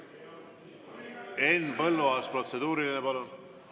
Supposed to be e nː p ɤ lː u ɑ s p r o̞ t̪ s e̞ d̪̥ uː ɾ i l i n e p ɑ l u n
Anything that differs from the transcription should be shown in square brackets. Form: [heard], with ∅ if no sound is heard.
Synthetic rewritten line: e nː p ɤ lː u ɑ s p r o̞ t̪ s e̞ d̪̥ uː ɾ i l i n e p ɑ l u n